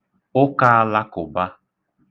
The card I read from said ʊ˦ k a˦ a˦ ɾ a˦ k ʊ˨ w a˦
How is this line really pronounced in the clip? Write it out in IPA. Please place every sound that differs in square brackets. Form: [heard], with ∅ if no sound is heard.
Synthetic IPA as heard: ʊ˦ k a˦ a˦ [l] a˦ k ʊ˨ [b] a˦